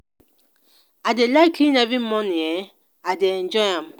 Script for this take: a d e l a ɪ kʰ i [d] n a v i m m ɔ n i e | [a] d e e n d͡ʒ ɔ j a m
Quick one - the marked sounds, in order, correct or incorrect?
incorrect: none, correct

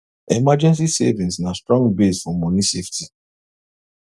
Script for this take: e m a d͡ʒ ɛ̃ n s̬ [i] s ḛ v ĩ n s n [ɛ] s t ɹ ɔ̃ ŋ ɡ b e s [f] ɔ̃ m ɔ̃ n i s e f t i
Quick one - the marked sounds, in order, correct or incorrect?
correct, incorrect: a, correct

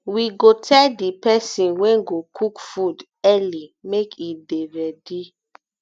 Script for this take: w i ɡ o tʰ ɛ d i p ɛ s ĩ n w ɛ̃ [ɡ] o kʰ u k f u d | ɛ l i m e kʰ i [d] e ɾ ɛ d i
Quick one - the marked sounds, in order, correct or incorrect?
correct, correct

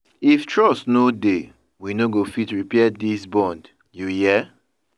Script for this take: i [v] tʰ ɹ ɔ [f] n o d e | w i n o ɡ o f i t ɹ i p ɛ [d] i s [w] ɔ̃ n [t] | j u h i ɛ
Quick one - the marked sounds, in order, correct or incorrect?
incorrect: f, incorrect: s, correct, incorrect: b, incorrect: d

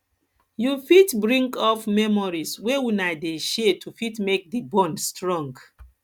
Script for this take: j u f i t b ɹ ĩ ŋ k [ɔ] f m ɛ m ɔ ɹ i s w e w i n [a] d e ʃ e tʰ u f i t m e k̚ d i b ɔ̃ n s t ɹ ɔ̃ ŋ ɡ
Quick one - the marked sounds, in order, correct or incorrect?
correct, correct

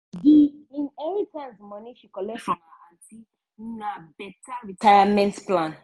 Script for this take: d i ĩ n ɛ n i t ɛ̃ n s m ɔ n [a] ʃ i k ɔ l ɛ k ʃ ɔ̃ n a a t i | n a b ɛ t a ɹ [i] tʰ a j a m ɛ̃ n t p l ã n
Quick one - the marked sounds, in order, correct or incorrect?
incorrect: i, correct

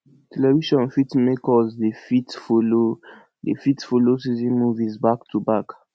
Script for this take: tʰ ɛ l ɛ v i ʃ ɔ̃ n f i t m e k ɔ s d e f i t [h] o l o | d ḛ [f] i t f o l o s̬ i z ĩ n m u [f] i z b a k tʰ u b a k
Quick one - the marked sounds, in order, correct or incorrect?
incorrect: f, correct, incorrect: v

